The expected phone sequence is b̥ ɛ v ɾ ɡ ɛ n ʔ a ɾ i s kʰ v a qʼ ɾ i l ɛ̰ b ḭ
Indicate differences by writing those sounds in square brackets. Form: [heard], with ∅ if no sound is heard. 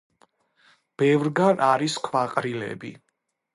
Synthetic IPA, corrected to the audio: b̥ ɛ v ɾ ɡ [a] n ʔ a ɾ i s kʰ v a qʼ ɾ i l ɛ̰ b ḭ